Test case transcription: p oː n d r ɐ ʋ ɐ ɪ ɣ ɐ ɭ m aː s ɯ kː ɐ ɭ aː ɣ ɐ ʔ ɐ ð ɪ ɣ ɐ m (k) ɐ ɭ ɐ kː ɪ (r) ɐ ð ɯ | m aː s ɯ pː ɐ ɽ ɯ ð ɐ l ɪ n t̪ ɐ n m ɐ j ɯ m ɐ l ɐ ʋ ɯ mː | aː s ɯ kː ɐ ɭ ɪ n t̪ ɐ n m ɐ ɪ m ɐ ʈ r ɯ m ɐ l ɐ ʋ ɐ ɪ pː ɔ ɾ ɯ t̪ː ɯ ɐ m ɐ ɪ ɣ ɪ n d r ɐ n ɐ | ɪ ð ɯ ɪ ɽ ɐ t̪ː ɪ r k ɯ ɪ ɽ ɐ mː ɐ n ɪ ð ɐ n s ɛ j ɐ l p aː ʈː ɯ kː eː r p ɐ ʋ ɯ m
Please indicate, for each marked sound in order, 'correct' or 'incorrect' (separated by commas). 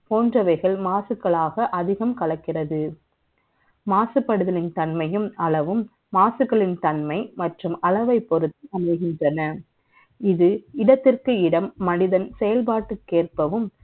correct, correct